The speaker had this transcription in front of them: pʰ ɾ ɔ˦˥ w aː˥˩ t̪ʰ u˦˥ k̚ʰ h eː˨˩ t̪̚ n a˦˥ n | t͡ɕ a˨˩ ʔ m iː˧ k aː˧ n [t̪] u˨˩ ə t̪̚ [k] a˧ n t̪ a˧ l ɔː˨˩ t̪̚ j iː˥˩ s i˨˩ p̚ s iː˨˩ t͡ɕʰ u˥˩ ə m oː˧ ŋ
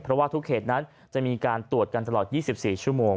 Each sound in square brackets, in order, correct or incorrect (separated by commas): correct, correct